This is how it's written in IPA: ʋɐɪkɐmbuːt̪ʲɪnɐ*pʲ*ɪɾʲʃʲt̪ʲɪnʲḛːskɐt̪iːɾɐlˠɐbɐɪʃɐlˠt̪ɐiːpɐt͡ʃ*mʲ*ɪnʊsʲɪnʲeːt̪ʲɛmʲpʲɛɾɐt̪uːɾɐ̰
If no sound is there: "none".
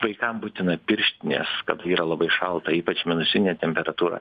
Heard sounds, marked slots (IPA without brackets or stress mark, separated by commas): pʲ, mʲ